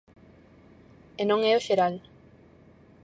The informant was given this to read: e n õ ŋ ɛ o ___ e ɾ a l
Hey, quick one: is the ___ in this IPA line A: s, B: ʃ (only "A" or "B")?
B